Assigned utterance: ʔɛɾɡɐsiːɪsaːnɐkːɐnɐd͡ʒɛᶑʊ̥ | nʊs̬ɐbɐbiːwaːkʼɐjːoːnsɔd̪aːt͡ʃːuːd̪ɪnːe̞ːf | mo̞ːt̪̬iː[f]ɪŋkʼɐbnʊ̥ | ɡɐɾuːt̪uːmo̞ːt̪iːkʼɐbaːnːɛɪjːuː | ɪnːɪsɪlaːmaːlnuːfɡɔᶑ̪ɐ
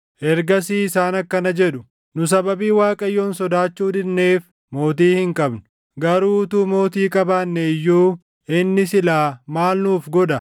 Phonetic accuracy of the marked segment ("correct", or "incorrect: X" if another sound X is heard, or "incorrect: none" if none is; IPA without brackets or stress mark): incorrect: h